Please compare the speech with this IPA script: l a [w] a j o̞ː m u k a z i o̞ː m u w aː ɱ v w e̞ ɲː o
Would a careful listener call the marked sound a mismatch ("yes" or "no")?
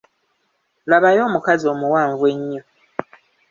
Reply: yes